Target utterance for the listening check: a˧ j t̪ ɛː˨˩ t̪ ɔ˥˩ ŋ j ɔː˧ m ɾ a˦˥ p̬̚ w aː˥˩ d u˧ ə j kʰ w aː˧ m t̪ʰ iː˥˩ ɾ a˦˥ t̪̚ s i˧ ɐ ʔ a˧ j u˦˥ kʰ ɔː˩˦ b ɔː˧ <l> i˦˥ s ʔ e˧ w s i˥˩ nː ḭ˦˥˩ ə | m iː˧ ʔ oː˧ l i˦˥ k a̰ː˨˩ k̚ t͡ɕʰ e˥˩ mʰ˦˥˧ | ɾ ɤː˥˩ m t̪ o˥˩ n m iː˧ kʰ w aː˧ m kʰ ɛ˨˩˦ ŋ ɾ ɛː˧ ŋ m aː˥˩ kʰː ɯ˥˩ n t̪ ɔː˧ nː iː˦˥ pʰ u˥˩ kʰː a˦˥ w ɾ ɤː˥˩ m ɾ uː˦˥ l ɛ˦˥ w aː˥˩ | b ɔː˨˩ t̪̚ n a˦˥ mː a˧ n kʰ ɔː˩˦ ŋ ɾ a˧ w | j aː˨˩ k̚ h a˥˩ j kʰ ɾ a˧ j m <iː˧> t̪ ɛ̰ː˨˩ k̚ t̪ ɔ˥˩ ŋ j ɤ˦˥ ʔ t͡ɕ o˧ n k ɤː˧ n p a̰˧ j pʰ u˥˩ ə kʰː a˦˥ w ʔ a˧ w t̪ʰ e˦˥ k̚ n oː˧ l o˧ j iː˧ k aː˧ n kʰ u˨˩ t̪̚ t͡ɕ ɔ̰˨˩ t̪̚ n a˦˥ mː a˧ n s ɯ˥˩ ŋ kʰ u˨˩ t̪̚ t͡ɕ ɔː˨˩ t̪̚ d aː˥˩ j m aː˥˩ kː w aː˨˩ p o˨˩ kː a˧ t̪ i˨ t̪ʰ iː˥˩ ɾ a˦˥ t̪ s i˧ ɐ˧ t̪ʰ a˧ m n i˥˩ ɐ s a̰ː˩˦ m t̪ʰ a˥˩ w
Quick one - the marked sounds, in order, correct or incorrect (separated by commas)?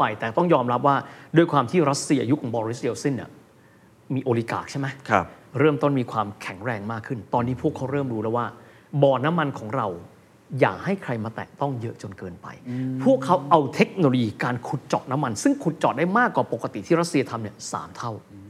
incorrect, incorrect